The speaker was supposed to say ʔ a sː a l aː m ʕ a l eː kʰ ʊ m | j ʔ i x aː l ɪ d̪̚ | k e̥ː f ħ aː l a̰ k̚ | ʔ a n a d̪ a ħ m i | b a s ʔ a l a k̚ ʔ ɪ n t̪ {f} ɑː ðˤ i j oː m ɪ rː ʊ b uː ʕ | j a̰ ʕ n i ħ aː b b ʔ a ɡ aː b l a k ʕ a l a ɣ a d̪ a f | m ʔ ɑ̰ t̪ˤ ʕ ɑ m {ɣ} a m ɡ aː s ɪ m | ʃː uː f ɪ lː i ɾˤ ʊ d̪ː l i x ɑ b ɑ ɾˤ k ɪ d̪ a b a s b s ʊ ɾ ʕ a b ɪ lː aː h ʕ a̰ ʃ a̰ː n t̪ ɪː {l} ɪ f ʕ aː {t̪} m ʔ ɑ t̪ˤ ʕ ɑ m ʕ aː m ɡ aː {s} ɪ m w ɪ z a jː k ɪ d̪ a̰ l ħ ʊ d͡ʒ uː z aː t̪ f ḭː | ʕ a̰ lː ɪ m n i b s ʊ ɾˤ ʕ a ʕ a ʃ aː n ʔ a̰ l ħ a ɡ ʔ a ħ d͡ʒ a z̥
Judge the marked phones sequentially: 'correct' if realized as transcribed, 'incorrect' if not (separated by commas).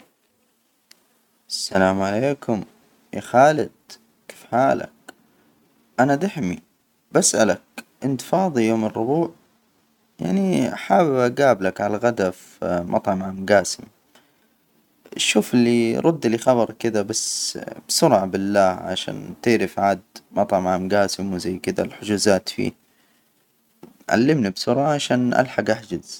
correct, incorrect, incorrect, incorrect, correct